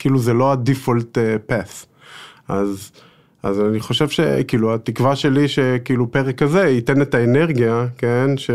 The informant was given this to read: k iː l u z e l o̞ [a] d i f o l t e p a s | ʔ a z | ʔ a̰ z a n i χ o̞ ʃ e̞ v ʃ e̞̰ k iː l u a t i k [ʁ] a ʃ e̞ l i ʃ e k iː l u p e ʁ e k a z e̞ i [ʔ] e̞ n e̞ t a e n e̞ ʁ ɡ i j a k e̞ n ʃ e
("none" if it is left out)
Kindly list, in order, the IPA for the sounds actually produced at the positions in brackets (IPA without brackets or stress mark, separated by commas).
a, v, t